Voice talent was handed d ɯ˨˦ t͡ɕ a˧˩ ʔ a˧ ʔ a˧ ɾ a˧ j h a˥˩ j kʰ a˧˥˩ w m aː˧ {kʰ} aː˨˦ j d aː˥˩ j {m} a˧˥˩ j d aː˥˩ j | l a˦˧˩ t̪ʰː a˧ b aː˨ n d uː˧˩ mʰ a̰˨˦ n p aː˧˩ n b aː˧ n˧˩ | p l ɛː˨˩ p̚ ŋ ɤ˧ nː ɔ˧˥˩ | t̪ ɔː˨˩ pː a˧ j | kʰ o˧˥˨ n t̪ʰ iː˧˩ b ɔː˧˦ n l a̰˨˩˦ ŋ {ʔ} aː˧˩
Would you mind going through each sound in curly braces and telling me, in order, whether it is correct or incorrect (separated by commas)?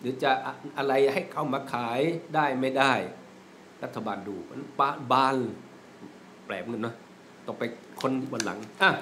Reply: correct, correct, correct